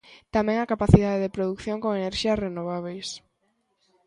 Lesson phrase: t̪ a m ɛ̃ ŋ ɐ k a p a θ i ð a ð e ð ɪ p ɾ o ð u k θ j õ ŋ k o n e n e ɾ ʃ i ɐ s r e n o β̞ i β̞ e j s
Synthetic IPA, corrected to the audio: t̪ a m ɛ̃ ŋ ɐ k a p a θ i ð a ð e ð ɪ p ɾ o ð u k θ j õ ŋ k o ŋ e n e ɾ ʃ i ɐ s r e n o β̞ a β̞ e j s